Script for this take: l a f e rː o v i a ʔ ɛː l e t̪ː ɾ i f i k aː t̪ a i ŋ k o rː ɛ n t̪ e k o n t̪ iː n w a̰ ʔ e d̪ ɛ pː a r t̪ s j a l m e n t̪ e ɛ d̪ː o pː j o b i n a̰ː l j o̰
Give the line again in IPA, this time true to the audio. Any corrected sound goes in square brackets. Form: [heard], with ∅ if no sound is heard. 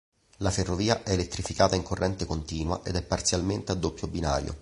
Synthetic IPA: l a f e rː o v [iː] a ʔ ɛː l e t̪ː ɾ i f i k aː t̪ a i ŋ k o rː ɛ n t̪ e k o n t̪ iː n w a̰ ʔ e d̪ ɛ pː a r t̪ s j a l m e n t̪ e [a] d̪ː o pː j o b i n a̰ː [ɾ] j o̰